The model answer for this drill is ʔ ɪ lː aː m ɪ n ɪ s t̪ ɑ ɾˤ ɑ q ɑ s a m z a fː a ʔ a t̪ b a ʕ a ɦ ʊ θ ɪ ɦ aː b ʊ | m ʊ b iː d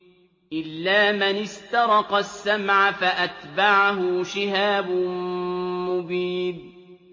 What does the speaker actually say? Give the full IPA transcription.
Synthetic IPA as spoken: ʔ ɪ lː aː m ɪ n ɪ s t̪ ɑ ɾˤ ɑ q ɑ sː a m ʕ a f a ʔ a t̪ b a ʕ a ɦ ʊ ʃ ɪ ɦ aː b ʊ | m ʊ b iː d